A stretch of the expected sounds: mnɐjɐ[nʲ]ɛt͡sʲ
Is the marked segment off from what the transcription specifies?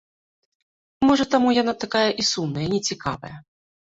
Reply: no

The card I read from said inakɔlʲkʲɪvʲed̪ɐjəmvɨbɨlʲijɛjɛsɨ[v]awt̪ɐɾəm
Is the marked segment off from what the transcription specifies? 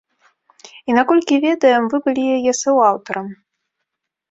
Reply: yes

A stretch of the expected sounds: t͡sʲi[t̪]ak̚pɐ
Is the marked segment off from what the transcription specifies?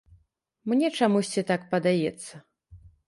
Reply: no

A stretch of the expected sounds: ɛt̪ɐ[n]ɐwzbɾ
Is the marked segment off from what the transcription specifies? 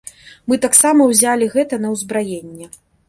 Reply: no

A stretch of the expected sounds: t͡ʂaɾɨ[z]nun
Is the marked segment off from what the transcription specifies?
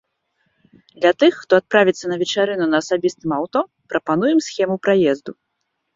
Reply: yes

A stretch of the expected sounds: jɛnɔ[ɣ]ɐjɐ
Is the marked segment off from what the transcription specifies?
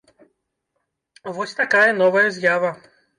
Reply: yes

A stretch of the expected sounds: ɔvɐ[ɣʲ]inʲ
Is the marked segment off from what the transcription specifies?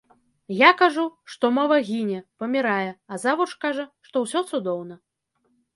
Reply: no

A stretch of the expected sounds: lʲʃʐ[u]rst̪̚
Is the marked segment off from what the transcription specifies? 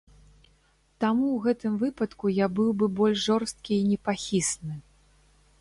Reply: yes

